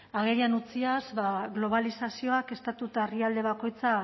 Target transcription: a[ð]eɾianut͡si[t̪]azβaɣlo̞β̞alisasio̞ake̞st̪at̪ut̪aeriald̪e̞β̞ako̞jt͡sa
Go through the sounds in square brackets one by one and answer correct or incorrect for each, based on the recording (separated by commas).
incorrect, incorrect